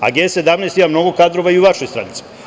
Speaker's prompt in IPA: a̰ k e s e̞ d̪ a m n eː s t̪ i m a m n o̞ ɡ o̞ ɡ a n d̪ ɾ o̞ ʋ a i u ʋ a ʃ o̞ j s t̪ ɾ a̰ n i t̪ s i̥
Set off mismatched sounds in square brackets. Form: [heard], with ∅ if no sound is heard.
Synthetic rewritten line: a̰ [ɡ] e s e̞ d̪ a m n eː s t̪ i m a m n o̞ ɡ o̞ [k] a [∅] d̪ ɾ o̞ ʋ a i u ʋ a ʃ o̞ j s t̪ ɾ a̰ n i t̪ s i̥